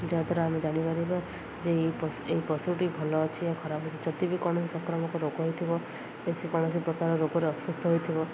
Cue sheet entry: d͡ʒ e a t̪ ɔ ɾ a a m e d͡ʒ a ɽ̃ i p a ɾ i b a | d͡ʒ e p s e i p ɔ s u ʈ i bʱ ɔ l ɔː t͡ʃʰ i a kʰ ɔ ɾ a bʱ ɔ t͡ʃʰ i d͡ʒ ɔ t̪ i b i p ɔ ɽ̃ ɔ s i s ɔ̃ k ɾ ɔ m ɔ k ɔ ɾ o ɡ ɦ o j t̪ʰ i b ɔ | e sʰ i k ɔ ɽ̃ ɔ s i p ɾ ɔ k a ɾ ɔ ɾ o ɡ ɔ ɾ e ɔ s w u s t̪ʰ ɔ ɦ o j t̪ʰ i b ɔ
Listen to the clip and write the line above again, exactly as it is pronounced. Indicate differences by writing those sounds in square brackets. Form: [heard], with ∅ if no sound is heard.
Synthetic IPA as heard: d͡ʒ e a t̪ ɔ ɾ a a m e d͡ʒ a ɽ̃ i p a ɾ i b a | d͡ʒ e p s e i p ɔ s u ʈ i bʱ ɔ l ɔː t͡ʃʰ i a kʰ ɔ ɾ a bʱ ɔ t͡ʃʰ i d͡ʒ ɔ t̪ i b i [k] ɔ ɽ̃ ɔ s i s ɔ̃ k ɾ ɔ m ɔ k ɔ ɾ o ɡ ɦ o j t̪ʰ i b ɔ | e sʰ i k ɔ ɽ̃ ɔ s i p ɾ ɔ k a ɾ ɔ ɾ o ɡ ɔ ɾ e ɔ s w u s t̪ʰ ɔ ɦ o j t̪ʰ i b ɔ